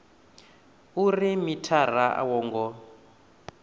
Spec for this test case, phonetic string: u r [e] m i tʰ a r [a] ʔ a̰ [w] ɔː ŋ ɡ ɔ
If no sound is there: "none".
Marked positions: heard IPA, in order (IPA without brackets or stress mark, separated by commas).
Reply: i, a, w